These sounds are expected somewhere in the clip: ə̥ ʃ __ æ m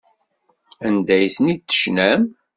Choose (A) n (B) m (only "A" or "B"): A